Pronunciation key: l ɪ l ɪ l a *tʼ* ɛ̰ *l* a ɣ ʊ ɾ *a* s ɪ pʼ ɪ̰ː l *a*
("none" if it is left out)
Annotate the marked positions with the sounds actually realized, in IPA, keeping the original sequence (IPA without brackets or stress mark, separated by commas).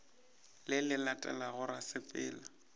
tʼ, l, a, a